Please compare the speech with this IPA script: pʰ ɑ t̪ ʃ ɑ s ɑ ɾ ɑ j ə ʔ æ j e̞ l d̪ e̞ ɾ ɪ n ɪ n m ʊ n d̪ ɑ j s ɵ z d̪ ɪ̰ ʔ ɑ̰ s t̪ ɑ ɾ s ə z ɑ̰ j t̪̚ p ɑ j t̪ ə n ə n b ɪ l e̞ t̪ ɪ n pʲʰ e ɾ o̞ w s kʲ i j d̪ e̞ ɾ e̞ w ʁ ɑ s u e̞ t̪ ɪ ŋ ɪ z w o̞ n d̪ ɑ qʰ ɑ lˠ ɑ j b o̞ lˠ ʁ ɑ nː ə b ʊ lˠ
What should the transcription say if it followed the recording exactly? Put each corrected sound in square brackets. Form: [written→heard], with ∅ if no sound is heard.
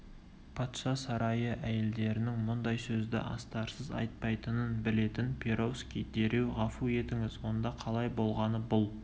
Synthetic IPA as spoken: pʰ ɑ t̪ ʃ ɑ s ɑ ɾ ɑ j ə ʔ æ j e̞ l d̪ e̞ ɾ ɪ n ɪ [n→ŋ] m ʊ n d̪ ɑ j s ɵ z d̪ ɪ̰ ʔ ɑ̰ s t̪ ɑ ɾ s ə z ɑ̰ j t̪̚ p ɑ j t̪ ə n ə n b ɪ l e̞ t̪ ɪ n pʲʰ e ɾ o̞ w s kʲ i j d̪ e̞ ɾ e̞ w ʁ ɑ [s→f] u e̞ t̪ ɪ ŋ ɪ z w o̞ n d̪ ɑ qʰ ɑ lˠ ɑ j b o̞ lˠ ʁ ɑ [nː→n] ə b ʊ lˠ